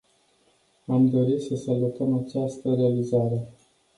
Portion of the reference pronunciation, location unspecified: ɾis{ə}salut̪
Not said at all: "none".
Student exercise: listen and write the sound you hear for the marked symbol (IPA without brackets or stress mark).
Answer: ə